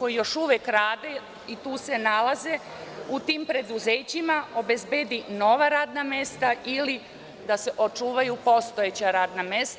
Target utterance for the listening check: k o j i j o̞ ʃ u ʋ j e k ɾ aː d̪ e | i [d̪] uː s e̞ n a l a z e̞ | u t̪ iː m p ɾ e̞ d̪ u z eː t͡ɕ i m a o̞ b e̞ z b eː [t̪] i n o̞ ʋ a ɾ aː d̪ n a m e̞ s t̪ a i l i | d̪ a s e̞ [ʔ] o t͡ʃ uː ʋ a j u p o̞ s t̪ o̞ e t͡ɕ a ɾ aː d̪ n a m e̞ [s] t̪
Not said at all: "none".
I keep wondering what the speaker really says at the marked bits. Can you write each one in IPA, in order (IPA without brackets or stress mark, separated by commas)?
t̪, d̪, ʔ, s